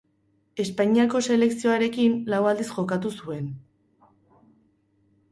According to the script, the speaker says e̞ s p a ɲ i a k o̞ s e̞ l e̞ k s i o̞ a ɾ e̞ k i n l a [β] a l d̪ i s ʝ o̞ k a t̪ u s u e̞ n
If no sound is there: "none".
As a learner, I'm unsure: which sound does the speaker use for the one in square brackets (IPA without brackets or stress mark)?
w